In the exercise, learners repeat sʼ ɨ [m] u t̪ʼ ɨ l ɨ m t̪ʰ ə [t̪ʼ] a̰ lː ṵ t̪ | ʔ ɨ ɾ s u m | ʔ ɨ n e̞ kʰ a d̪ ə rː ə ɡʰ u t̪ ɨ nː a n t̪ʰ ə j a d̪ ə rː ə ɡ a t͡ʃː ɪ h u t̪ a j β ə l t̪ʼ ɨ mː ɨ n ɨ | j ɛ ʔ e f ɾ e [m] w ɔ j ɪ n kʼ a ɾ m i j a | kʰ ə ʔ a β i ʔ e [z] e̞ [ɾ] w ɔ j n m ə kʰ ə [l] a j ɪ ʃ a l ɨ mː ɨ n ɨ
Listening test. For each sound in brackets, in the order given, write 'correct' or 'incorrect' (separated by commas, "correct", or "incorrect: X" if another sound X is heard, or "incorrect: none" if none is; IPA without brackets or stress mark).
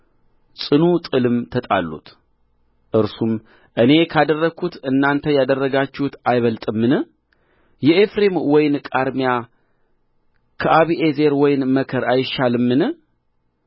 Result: incorrect: n, correct, correct, correct, correct, incorrect: ɾ